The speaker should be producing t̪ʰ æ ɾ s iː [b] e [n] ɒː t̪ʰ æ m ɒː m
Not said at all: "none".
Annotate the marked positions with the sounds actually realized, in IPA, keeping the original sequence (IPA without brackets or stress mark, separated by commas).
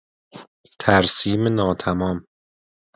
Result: m, n